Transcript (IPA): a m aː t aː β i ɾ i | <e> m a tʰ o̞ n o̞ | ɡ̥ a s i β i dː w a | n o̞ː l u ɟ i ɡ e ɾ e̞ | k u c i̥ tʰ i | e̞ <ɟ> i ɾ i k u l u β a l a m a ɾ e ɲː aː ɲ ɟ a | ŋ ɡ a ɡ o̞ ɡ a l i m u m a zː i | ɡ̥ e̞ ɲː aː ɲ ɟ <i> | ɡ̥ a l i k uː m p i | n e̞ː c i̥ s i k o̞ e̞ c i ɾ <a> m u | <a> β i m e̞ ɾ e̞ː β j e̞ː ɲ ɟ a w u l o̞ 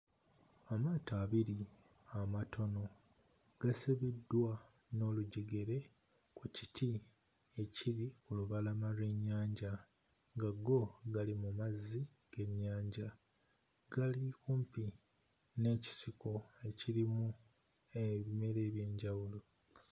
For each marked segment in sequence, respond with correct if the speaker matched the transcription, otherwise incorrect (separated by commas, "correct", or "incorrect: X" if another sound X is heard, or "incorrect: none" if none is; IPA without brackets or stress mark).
incorrect: a, incorrect: c, incorrect: a, incorrect: i, incorrect: e